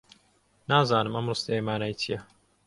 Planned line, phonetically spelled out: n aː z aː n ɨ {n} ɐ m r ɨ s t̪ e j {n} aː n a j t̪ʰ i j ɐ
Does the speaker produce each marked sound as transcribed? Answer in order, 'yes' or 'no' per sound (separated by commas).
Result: no, no